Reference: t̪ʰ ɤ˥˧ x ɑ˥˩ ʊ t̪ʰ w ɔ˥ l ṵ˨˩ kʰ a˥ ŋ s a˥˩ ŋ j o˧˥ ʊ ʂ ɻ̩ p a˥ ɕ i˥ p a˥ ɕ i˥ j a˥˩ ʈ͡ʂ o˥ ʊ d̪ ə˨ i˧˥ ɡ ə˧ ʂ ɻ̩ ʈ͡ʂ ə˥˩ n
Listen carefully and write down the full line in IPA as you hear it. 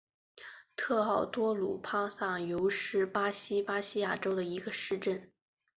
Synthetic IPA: t̪ʰ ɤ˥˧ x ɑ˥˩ ʊ t̪ w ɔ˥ l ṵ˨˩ pʰ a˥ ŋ s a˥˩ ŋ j o˧˥ ʊ ʂ ɻ̩ p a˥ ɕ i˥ p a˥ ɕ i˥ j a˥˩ ʈ͡ʂ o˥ ʊ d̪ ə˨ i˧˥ ɡ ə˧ ʂ ɻ̩ ʈ͡ʂ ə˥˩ n